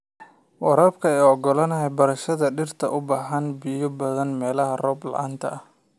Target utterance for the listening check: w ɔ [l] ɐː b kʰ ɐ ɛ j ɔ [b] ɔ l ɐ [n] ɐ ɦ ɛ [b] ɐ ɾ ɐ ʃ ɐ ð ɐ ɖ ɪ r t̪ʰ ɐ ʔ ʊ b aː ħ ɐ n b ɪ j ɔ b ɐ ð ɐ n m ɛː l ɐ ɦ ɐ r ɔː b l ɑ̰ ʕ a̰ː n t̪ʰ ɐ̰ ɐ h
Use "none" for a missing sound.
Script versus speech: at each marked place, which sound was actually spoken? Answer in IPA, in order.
ɾ, ɡ, n, b

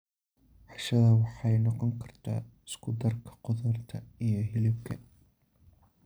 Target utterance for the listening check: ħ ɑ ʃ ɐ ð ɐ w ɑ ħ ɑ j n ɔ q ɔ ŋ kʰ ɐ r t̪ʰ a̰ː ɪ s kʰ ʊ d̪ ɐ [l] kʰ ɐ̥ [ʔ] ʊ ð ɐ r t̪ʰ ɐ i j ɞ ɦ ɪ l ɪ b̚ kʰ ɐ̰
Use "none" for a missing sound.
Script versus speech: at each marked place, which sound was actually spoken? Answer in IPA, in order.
r, q

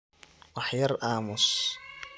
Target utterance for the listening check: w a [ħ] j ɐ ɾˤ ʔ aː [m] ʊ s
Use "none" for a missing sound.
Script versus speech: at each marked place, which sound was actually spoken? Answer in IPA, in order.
ħ, m

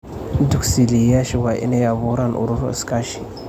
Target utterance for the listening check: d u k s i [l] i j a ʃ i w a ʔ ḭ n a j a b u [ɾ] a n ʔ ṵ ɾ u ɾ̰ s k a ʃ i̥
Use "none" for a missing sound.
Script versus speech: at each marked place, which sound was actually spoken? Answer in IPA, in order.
l, ɾ

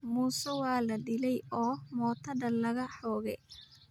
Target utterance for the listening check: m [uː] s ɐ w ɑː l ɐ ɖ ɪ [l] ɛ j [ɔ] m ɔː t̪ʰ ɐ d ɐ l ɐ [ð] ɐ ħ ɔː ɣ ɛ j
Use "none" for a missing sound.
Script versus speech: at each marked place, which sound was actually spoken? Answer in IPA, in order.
uː, l, ɔː, ɣ

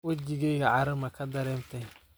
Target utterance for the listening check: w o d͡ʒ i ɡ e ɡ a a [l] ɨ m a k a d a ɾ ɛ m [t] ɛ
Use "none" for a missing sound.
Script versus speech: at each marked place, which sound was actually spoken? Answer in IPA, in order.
ɾ, t

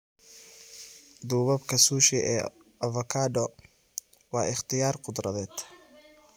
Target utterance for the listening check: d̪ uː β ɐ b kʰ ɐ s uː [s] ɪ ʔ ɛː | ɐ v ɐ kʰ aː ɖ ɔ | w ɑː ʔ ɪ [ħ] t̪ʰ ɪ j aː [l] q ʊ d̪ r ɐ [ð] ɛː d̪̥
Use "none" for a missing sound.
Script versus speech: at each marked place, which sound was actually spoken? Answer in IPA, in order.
ʃ, χ, r, ð

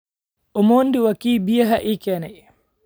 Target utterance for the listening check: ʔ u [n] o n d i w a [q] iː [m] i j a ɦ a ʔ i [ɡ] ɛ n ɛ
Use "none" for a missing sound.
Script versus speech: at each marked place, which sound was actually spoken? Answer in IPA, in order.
m, k, b, k

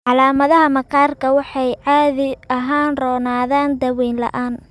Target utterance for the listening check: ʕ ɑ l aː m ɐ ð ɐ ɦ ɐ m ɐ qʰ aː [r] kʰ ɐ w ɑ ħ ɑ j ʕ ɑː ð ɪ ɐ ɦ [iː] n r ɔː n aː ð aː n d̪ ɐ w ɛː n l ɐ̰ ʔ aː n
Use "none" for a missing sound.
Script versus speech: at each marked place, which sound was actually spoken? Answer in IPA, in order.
r, aː

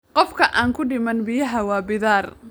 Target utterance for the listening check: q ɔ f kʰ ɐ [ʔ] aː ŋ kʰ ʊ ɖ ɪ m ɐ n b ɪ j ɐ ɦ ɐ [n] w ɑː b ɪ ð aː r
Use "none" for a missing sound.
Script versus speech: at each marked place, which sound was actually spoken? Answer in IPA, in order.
ʔ, none

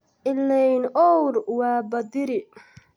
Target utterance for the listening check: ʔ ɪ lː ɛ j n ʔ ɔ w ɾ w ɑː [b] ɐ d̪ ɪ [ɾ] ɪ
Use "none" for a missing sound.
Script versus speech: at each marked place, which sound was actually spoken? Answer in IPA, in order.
b, ɾ

